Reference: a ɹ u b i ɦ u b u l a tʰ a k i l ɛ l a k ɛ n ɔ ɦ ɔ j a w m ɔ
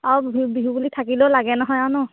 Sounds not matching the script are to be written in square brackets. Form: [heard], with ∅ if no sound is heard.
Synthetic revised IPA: a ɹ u b i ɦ u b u l [i] tʰ a k i l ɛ l a [ɡ] ɛ n ɔ ɦ ɔ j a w [n] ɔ